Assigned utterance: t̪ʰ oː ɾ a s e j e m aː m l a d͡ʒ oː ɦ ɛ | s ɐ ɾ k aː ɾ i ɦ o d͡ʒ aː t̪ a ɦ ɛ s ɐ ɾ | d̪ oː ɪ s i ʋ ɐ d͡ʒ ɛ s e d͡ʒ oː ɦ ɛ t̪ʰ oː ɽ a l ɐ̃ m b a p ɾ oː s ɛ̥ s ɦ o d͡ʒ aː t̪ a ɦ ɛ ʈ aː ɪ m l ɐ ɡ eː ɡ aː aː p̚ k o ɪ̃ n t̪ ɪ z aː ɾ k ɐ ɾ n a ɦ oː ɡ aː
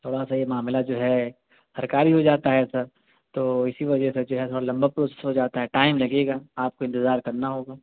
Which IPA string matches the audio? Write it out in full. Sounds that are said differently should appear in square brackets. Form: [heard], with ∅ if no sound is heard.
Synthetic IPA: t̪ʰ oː [ɽ] a s [a] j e m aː m l a d͡ʒ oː ɦ ɛ | s ɐ ɾ k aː ɾ i ɦ o d͡ʒ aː t̪ a ɦ ɛ s ɐ ɾ | [t̪] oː ɪ s i ʋ ɐ d͡ʒ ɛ s e d͡ʒ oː ɦ ɛ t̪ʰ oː ɽ a l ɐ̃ m b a p ɾ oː s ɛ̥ s ɦ o d͡ʒ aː t̪ a ɦ ɛ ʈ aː ɪ m l ɐ ɡ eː ɡ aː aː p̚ k o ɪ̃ n t̪ ɪ z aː ɾ k ɐ ɾ n a ɦ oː ɡ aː